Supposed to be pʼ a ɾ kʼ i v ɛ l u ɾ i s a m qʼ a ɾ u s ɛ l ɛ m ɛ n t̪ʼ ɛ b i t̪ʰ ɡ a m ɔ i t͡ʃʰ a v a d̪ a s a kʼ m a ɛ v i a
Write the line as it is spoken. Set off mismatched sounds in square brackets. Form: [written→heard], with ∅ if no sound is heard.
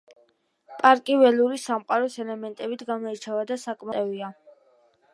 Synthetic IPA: pʼ a ɾ kʼ i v ɛ l u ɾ i s a m qʼ a ɾ [u→ɔ] s ɛ l ɛ m ɛ n t̪ʼ ɛ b i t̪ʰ ɡ a m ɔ i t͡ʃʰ a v a d̪ a s a kʼ m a ɛ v i a